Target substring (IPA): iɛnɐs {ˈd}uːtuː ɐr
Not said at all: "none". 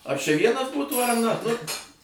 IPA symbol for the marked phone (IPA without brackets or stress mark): b